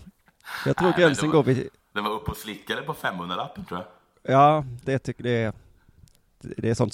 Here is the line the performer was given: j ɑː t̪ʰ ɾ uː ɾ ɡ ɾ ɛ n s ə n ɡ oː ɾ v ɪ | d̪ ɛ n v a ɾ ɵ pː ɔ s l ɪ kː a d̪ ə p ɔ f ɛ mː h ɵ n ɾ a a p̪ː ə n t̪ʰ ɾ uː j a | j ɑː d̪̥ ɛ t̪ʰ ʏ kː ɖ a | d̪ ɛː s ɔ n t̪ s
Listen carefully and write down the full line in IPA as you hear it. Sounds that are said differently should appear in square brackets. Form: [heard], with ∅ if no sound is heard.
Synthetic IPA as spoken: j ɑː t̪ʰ ɾ uː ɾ ɡ ɾ ɛ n s ə n ɡ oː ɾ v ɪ | d̪ ɛ n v a ɾ ɵ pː ɔ s l ɪ kː a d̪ ə p ɔ f ɛ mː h ɵ n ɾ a a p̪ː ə n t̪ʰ ɾ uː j a | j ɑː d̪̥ ɛ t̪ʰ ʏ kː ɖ [ɛ] | d̪ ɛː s ɔ n t̪ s